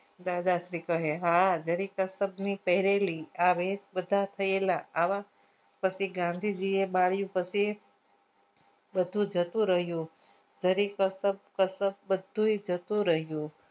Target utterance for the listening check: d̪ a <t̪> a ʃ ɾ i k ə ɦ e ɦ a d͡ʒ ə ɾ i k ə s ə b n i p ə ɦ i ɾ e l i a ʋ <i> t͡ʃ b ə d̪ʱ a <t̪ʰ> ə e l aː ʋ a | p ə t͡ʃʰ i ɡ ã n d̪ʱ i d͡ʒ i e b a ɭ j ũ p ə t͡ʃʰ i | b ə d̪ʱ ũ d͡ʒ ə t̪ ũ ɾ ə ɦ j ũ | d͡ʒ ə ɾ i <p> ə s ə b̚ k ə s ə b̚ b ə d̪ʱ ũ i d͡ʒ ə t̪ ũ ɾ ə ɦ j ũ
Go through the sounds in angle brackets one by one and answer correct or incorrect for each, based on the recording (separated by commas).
incorrect, incorrect, correct, incorrect